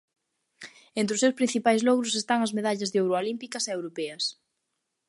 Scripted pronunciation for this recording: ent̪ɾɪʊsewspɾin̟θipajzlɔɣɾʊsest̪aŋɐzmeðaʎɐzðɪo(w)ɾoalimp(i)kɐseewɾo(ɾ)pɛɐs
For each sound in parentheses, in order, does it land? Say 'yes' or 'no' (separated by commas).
yes, yes, no